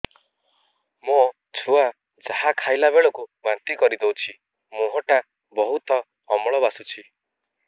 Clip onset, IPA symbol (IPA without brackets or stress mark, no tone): m